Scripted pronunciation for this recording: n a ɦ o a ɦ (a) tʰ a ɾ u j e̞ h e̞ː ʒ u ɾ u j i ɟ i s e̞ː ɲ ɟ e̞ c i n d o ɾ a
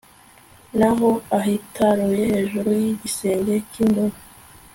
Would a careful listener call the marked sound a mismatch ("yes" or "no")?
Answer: yes